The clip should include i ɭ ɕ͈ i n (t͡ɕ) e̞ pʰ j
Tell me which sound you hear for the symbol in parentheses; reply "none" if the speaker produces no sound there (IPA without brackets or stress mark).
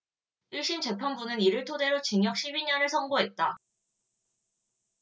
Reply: t͡ɕ